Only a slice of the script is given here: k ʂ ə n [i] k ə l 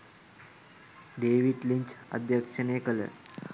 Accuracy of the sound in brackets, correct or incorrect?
incorrect